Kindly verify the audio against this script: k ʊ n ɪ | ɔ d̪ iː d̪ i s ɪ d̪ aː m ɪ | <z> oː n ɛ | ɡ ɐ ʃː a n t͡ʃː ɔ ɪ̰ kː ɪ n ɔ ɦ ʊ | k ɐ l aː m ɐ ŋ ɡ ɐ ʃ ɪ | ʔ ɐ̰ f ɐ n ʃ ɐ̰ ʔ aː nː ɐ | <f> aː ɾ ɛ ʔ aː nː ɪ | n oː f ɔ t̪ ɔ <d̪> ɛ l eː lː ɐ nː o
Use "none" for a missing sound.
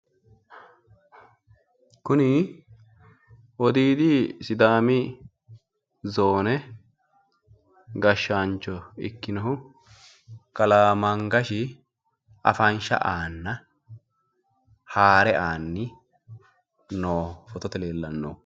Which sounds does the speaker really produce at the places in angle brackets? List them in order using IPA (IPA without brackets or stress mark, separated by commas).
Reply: z, h, t̪